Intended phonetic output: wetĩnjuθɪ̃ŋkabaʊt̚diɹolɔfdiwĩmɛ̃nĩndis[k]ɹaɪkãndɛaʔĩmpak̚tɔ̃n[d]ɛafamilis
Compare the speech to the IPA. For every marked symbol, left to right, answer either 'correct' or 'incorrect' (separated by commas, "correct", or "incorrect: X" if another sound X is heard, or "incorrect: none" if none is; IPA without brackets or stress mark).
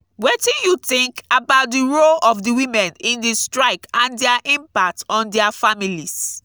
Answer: incorrect: t, correct